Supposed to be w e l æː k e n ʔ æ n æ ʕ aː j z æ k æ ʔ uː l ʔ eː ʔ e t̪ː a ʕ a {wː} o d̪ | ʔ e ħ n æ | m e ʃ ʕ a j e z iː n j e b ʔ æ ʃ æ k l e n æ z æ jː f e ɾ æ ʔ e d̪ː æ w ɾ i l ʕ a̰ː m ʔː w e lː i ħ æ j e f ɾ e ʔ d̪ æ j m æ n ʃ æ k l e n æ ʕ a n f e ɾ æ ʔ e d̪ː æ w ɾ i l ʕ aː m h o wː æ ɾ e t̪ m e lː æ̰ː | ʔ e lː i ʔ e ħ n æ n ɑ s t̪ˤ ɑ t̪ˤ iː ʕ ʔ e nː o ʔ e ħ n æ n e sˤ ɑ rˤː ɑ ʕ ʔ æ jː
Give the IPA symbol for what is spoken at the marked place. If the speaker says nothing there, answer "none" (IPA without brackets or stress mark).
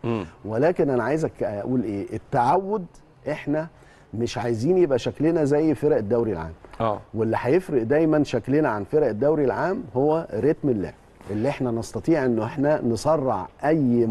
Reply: wː